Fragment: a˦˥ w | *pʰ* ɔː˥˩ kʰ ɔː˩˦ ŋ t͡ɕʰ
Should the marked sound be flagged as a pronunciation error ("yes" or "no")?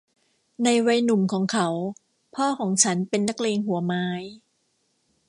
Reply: no